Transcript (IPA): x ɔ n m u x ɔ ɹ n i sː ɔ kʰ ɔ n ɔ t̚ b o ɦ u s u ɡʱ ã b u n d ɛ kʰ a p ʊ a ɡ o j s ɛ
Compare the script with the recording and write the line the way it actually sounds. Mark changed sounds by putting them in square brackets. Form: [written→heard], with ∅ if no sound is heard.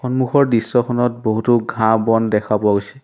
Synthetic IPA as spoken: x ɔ n m u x ɔ ɹ [n→d] i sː ɔ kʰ ɔ n ɔ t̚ b o ɦ u [s→t] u ɡʱ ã b [u→ɔ] n d ɛ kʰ a p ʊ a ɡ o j s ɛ